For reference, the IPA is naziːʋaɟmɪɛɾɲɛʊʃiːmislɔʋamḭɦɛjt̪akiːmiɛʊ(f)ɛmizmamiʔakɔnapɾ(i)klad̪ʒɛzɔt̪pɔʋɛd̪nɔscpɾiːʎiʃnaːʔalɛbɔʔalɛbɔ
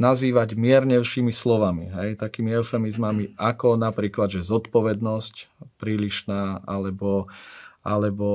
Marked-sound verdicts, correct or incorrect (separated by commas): correct, incorrect